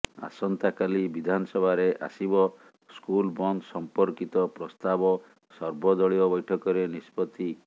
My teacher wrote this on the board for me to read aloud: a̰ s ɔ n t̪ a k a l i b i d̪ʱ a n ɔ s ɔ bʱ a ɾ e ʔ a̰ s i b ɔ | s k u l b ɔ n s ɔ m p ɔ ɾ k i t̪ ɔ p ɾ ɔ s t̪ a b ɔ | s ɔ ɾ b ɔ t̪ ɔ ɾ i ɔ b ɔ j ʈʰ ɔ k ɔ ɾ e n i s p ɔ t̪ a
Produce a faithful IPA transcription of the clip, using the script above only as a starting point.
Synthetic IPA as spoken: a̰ s ɔ n t̪ a k a l i b i d̪ʱ a n ɔ s ɔ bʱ a ɾ e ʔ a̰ s i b ɔ | s k u l b ɔ n s ɔ m p ɔ ɾ k i t̪ ɔ p ɾ ɔ s t̪ a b ɔ | s ɔ ɾ b ɔ d̪ ɔ ɭ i ɔ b ɔ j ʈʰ ɔ k ɔ ɾ e n i s p ɔ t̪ i